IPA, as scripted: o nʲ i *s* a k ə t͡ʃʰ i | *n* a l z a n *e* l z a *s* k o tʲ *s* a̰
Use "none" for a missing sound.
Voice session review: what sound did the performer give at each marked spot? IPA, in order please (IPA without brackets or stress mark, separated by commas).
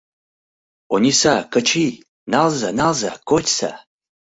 s, n, a, none, s